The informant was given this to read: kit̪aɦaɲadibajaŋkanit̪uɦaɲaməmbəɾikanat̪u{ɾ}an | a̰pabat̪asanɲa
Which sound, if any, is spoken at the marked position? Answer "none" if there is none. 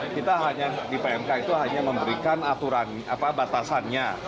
ɾ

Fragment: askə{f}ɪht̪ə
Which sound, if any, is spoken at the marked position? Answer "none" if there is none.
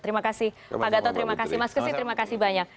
s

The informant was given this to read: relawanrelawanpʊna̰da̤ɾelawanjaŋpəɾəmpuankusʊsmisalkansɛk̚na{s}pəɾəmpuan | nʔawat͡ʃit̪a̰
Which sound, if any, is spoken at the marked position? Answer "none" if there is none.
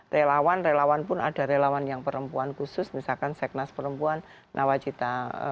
s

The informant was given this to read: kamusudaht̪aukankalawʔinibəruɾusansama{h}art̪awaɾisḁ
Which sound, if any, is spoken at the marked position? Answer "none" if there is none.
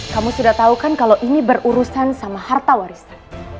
h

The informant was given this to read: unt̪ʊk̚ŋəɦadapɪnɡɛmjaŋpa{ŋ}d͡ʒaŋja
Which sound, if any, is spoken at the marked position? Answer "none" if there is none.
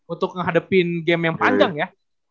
ɲ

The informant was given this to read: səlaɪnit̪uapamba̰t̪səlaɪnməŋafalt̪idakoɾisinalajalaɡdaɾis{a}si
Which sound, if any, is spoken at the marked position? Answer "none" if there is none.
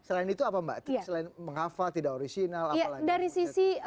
i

